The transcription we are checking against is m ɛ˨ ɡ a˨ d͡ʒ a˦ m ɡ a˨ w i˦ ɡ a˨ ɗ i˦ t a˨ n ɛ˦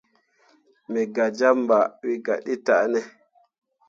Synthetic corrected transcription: m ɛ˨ ɡ a˨ d͡ʒ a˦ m b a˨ w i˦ ɡ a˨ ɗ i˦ t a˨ n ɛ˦